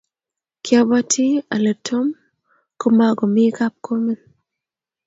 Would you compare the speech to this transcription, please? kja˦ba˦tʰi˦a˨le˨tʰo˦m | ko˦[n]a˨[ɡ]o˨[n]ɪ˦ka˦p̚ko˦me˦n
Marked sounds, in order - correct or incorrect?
incorrect: m, correct, incorrect: m

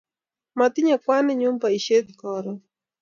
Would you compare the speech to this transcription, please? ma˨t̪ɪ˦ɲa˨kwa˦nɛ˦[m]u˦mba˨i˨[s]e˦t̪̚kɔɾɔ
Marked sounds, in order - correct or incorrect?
incorrect: ɲ, incorrect: ʃ

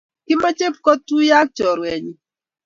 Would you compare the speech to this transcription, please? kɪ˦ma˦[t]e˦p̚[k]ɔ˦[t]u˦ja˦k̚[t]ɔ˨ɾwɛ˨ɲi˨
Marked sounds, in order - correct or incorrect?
incorrect: t͡ʃ, correct, correct, incorrect: t͡ʃ

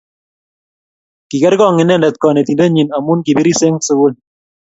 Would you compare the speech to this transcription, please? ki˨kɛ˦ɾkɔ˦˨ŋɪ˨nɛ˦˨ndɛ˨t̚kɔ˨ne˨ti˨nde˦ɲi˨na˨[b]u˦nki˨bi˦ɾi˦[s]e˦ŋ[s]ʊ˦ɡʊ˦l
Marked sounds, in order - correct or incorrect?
incorrect: m, correct, correct

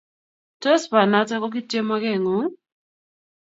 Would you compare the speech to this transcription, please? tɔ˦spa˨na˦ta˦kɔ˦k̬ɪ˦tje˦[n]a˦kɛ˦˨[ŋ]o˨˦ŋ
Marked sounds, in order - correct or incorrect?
incorrect: m, correct

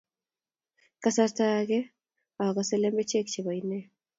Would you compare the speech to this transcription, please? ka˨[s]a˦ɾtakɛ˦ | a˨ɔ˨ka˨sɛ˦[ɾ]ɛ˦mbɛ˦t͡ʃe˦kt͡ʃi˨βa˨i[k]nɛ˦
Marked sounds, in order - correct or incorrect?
correct, incorrect: l, incorrect: none

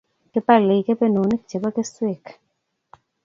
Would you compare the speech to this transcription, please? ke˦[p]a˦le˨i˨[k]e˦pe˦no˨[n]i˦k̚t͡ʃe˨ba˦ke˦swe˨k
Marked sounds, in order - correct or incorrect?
correct, correct, correct

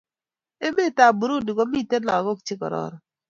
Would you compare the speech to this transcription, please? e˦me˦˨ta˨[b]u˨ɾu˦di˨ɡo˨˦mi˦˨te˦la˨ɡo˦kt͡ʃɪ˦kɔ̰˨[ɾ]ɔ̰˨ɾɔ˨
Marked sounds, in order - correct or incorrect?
correct, correct

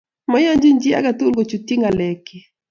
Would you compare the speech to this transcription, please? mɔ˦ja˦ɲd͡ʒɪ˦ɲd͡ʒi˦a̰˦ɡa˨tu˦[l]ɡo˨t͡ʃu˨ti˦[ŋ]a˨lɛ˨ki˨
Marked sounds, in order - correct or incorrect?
correct, correct

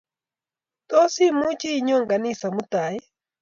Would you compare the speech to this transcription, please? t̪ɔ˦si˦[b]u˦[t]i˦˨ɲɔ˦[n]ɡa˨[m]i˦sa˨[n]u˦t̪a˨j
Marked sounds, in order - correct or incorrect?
incorrect: m, incorrect: t͡ʃ, incorrect: ŋ, incorrect: n, incorrect: m

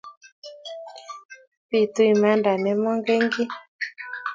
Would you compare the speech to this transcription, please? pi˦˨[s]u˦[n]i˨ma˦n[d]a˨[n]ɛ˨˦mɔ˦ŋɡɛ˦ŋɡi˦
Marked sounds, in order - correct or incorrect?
incorrect: t, incorrect: none, correct, correct

